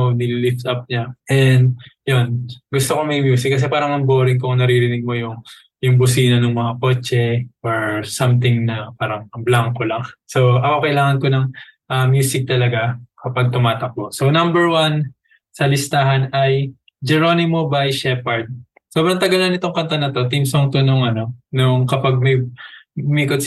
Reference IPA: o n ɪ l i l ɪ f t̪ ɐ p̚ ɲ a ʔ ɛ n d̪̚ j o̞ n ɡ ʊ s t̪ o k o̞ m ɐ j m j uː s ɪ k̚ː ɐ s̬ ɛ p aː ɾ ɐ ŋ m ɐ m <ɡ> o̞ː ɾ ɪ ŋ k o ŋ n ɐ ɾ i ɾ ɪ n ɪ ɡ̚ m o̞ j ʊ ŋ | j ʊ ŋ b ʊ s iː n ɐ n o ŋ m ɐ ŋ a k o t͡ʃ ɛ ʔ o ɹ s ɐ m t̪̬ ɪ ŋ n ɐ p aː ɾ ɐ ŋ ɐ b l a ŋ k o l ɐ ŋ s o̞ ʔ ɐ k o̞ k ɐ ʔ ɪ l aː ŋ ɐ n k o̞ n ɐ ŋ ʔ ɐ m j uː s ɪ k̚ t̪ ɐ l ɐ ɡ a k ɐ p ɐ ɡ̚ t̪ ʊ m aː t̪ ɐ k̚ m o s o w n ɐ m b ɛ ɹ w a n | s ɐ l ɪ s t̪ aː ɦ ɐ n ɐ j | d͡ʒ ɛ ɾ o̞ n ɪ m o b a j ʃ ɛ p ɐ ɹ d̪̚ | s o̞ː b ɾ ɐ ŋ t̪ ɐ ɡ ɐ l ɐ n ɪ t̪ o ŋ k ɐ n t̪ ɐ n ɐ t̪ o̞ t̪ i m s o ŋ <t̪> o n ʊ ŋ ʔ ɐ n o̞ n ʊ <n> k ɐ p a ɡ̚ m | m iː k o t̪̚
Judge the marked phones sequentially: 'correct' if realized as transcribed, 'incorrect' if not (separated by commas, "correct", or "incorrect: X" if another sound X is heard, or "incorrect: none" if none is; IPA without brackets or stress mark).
incorrect: b, correct, incorrect: ŋ